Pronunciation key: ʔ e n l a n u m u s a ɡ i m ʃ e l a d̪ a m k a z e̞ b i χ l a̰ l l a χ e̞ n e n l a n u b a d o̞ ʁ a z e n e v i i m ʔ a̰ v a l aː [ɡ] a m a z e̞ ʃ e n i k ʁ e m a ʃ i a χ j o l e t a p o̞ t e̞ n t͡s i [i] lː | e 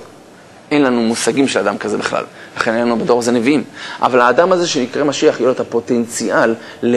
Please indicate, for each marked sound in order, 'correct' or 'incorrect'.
incorrect: d, incorrect: a

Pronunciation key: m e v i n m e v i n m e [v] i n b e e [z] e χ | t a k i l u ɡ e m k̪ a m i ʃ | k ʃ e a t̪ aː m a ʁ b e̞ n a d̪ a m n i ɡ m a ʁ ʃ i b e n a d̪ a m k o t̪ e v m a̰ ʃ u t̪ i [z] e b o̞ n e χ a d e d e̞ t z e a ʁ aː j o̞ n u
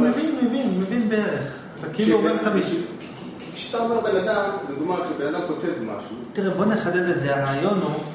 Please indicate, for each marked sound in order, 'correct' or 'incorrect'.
correct, incorrect: ʁ, incorrect: ʁ

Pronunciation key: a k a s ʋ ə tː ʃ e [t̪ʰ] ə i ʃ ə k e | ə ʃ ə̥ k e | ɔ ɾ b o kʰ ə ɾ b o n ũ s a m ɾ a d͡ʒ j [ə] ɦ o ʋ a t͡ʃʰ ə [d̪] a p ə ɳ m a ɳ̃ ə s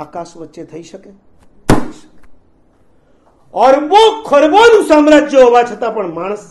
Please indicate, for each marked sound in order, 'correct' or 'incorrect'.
correct, correct, incorrect: t̪

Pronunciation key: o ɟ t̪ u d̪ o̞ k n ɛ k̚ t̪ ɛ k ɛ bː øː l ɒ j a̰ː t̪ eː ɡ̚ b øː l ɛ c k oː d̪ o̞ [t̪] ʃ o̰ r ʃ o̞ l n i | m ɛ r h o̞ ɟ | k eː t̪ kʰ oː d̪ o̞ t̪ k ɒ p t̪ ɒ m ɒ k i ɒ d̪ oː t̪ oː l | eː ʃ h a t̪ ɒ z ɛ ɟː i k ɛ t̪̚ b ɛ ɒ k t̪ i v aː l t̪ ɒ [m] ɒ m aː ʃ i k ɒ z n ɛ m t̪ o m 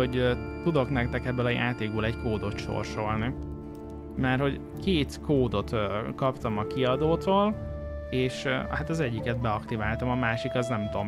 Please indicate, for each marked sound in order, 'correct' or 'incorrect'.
correct, correct

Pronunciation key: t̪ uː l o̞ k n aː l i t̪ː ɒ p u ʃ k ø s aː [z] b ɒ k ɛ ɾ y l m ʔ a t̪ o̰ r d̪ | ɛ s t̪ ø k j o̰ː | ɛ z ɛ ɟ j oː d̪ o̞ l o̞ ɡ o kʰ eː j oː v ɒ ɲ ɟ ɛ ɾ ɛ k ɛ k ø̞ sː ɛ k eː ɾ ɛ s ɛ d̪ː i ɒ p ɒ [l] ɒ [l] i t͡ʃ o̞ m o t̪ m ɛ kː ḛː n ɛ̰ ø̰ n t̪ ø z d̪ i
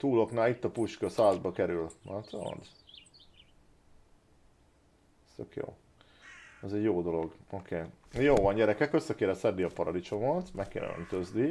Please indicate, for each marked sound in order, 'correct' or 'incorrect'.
correct, incorrect: ɾ, correct

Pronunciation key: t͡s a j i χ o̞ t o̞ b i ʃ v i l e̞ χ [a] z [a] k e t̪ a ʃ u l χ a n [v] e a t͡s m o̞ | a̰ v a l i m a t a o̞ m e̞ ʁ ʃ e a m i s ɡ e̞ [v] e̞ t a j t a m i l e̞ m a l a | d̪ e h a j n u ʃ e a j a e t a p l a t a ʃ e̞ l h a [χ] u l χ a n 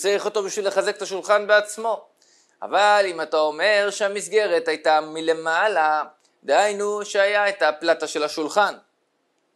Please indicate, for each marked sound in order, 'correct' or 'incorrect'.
correct, incorrect: e, incorrect: b, incorrect: ʁ, incorrect: ʃ

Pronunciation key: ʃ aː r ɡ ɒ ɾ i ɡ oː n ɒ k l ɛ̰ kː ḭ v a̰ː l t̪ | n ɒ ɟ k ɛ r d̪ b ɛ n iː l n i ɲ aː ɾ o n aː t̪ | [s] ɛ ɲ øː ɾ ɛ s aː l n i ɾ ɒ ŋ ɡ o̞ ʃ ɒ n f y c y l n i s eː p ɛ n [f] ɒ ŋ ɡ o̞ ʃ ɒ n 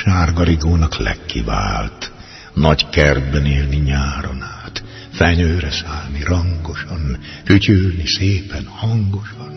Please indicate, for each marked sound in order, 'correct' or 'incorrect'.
incorrect: f, incorrect: h

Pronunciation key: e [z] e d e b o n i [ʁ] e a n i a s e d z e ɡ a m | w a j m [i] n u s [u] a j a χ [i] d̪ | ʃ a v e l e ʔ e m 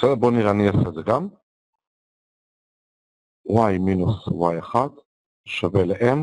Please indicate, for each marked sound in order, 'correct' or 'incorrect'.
incorrect: s, correct, correct, incorrect: w, incorrect: a

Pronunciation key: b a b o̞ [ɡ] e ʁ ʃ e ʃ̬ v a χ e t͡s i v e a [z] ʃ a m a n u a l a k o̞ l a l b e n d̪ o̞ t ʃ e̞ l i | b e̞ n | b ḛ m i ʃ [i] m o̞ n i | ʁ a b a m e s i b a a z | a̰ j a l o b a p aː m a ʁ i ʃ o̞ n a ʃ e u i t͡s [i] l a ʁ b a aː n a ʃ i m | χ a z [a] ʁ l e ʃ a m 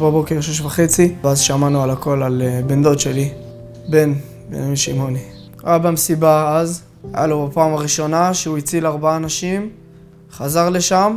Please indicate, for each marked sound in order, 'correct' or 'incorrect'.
incorrect: k, correct, correct, correct, correct

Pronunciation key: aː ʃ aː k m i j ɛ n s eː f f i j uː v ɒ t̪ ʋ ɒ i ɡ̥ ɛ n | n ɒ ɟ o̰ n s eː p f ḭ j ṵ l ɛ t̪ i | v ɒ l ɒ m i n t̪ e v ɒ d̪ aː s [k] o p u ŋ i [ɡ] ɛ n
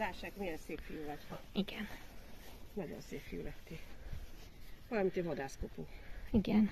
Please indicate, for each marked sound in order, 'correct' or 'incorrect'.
correct, correct

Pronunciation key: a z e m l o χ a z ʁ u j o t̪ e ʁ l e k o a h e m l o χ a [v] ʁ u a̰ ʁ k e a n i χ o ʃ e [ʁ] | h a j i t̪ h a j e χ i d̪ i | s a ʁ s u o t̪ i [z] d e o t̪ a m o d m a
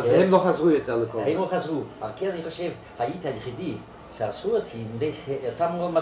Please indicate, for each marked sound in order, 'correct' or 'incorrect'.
incorrect: z, incorrect: v, incorrect: none

